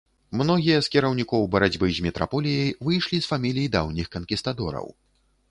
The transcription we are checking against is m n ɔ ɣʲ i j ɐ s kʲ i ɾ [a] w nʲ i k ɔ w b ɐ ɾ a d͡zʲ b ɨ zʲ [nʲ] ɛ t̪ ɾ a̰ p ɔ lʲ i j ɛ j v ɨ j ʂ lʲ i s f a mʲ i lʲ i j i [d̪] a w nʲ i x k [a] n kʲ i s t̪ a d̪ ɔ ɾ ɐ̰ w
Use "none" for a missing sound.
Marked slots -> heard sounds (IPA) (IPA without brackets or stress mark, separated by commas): ɐ, mʲ, d̪, ɐ